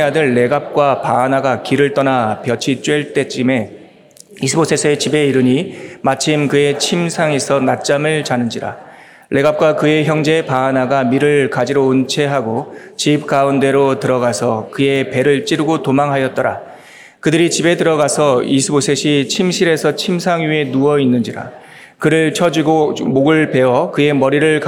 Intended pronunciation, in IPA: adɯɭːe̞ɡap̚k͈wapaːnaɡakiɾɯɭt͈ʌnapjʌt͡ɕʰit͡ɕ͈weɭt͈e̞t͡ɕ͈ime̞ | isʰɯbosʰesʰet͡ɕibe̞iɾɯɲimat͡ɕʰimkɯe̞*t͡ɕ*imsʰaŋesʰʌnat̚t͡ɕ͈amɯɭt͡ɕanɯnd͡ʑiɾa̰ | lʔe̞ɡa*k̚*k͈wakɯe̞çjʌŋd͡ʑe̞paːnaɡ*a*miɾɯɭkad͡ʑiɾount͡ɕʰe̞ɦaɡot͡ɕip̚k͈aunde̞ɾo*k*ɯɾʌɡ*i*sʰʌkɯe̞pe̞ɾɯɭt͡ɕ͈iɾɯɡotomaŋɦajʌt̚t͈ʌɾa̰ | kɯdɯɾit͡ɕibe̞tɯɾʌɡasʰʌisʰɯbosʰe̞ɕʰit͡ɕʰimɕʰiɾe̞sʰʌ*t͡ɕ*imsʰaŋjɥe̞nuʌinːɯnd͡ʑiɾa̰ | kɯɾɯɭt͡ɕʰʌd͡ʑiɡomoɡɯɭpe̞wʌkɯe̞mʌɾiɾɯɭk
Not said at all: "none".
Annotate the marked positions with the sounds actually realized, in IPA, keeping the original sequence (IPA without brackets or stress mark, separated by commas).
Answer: t͡ɕʰ, p̚, a, t, a, t͡ɕʰ